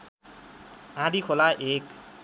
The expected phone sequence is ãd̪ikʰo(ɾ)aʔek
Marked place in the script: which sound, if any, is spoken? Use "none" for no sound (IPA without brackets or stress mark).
l